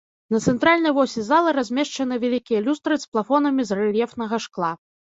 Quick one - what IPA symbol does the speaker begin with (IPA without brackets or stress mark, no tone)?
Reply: n